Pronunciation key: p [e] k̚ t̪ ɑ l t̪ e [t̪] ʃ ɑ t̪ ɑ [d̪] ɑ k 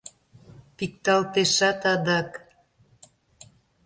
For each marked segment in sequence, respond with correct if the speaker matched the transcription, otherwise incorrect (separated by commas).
incorrect, incorrect, correct